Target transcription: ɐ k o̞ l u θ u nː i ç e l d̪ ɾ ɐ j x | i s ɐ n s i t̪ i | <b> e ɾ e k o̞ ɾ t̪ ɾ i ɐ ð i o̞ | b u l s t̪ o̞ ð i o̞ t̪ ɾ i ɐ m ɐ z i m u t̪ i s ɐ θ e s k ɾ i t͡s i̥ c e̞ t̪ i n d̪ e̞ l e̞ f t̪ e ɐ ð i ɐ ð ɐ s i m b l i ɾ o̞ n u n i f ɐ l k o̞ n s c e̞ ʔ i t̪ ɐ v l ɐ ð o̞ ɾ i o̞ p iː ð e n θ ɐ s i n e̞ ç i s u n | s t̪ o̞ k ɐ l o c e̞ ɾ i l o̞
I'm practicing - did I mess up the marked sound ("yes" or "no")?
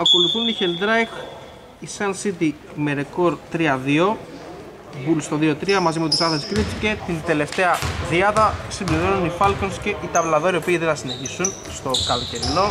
yes